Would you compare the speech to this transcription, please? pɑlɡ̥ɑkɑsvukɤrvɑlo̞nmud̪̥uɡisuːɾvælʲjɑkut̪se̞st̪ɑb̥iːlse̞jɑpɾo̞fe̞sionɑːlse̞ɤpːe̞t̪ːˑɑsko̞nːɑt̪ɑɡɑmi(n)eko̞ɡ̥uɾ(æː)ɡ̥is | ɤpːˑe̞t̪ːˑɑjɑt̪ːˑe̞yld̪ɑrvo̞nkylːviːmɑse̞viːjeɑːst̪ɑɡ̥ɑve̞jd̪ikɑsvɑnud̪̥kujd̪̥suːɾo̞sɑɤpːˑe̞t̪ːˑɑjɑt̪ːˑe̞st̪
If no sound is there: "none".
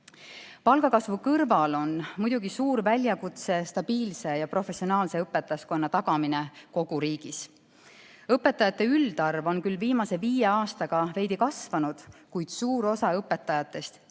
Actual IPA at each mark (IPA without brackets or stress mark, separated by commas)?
n, iː